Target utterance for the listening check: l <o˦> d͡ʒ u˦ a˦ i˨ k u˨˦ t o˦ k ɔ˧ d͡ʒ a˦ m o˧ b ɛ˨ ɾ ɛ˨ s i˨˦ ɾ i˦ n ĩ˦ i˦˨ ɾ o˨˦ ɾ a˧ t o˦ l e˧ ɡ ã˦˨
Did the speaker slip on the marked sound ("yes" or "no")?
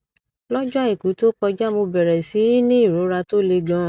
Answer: yes